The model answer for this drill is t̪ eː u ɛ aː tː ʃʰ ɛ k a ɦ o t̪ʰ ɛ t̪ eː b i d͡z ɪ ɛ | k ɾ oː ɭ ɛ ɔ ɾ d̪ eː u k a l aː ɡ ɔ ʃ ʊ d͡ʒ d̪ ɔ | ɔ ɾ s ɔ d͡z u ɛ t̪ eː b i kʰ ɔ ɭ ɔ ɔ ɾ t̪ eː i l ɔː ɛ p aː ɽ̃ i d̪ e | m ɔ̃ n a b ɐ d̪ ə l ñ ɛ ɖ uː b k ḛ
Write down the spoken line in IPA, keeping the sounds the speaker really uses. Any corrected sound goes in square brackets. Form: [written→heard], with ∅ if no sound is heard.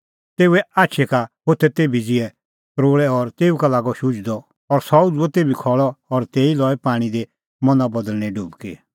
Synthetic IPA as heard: t̪ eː u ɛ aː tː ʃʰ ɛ k a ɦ o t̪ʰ ɛ t̪ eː b i d͡z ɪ ɛ | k ɾ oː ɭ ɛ ɔ ɾ [d̪→t̪] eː u k a l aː ɡ ɔ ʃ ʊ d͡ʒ d̪ ɔ | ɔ ɾ s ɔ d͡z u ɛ t̪ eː b i kʰ ɔ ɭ ɔ ɔ ɾ t̪ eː i l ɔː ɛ p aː ɽ̃ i d̪ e | m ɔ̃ n a b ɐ d̪ ə l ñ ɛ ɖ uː b k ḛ